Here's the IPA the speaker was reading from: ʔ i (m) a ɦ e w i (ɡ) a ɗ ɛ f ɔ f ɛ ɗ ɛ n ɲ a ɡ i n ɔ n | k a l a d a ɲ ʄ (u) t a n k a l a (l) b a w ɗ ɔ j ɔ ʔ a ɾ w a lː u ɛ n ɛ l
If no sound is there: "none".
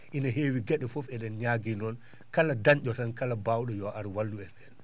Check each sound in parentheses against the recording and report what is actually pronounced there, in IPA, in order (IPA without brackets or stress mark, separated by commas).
n, ɡ, ɔ, none